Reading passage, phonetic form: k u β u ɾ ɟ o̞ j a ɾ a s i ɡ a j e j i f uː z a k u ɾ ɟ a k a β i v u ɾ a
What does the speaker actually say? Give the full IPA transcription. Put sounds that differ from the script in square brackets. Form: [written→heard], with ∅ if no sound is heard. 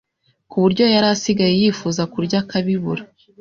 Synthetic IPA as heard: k u β u ɾ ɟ o̞ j a ɾ a s i ɡ a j e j i f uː z a k u ɾ ɟ a k a β i [v→β] u ɾ a